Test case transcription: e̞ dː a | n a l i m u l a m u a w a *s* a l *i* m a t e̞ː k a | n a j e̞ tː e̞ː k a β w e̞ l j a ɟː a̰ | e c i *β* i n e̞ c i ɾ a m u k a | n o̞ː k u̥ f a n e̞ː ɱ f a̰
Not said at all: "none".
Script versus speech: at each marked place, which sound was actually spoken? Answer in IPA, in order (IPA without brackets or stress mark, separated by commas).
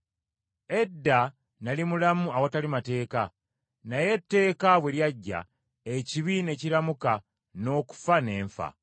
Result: t, i, β